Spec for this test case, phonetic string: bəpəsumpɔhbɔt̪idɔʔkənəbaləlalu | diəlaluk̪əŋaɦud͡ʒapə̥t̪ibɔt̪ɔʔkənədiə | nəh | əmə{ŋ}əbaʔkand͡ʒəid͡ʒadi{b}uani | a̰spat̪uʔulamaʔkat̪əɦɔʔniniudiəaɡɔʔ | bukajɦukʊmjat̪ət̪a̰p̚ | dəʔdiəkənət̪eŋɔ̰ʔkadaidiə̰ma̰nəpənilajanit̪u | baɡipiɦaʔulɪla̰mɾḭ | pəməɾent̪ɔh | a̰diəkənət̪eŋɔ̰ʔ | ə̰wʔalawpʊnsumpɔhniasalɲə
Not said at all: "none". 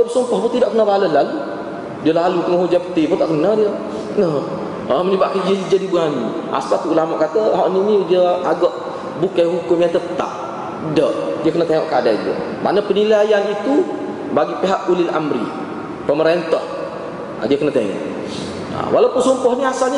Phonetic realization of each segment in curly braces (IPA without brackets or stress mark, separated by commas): ɲ, b